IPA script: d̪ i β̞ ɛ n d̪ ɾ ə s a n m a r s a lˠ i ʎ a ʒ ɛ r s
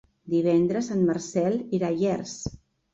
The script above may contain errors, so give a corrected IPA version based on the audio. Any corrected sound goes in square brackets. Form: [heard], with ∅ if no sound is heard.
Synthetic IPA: d̪ i β̞ ɛ n d̪ ɾ ə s a n m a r s [ɛ] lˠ i [ɾ] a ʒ ɛ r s